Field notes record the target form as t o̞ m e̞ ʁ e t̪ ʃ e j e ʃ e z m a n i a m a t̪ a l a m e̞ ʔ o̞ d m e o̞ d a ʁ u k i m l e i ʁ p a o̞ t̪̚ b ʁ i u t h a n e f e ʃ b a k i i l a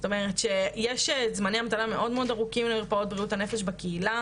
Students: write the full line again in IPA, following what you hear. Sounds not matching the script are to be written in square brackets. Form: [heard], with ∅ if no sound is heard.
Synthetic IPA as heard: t o̞ m e̞ ʁ e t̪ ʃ e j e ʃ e z m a n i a m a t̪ a l a m e̞ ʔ o̞ d m e o̞ d a ʁ u k i m l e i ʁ p a o̞ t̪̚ b ʁ i u t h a n e f e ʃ b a k [e] i l a

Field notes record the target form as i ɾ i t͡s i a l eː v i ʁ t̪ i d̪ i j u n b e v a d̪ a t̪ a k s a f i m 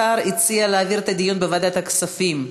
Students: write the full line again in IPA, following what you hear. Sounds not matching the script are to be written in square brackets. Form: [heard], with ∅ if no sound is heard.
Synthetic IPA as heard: [a] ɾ i t͡s i a l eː v i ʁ t̪ [a] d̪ i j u n b e v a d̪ a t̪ a k s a f i m

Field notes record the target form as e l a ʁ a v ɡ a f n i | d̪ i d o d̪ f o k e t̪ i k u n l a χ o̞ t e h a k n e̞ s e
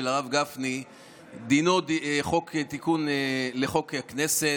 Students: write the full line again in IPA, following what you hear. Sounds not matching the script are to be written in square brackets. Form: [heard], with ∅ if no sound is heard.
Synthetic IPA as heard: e l a ʁ a v ɡ a f n i | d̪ i [n] o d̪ [χ] o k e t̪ i k u n l [e] χ o̞ [k] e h a k n e̞ s e

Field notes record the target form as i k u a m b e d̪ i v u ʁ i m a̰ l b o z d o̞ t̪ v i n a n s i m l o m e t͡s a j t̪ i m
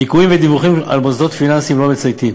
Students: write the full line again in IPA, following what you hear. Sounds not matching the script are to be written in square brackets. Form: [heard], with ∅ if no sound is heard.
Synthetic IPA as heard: i k u [i] m [v] e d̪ i v u [χ] i m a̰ l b o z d o̞ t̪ [f] i n a n s i m l o m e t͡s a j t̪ i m

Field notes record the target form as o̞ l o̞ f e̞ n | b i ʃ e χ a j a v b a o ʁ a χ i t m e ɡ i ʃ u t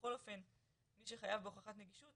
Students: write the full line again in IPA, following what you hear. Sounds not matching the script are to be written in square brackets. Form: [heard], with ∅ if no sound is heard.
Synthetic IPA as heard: o̞ l o̞ f e̞ n | [m] i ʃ e χ a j a v b [e] o [χ] a χ [a] t [n] e ɡ i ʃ u t

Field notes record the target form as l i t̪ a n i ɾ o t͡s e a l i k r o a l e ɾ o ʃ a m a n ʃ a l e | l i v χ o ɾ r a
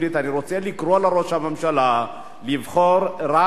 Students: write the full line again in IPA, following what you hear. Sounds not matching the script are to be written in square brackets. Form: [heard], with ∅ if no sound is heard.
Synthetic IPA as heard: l i t̪ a n i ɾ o t͡s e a l i k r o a l [a] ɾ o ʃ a m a [m] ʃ a l [a] | l i v χ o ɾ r a

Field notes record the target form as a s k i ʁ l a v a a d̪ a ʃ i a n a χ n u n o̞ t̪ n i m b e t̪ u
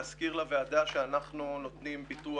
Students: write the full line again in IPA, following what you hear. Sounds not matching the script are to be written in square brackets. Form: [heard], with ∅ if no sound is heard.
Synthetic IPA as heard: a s k i ʁ l a v [e] a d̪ a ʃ [e] a n a χ n u n o̞ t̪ n i m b [i] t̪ u

